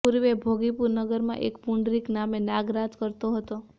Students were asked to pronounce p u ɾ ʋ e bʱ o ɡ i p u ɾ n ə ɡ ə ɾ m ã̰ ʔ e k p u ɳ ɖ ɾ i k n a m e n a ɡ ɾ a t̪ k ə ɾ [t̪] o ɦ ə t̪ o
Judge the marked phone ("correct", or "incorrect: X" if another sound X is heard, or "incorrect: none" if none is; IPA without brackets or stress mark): correct